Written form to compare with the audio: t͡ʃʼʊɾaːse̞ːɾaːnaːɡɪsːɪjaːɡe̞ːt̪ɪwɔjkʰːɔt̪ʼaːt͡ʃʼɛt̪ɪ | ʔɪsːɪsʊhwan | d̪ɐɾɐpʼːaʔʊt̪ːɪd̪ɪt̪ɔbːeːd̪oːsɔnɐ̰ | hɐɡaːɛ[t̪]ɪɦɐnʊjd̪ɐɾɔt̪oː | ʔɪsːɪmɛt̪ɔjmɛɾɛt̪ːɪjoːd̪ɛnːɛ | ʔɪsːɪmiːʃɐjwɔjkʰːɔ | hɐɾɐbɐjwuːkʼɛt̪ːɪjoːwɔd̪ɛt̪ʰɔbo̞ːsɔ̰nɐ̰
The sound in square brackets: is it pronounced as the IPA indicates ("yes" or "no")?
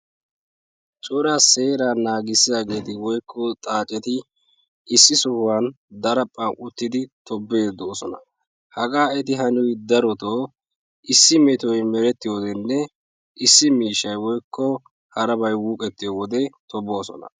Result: yes